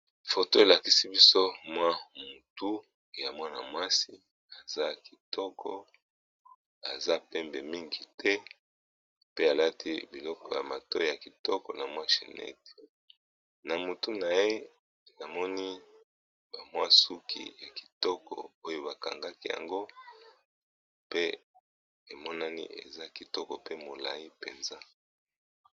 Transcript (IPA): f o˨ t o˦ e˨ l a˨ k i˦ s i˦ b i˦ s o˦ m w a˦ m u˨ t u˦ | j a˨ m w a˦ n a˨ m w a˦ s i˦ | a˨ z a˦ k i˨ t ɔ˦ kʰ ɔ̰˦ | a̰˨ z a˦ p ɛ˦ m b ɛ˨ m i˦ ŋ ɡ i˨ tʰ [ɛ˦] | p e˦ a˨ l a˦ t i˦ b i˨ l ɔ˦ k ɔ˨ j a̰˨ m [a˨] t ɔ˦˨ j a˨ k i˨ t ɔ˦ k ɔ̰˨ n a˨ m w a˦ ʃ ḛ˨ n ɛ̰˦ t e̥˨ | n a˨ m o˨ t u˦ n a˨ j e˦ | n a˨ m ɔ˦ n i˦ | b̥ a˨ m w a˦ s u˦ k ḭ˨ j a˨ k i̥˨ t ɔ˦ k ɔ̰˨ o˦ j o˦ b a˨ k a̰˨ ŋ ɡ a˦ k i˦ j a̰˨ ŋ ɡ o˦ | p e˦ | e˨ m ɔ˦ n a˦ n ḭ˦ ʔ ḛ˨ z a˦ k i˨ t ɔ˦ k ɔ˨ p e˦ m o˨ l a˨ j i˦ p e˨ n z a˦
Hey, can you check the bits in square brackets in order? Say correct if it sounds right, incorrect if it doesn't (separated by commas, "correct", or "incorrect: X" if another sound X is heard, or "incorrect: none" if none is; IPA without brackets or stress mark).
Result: correct, correct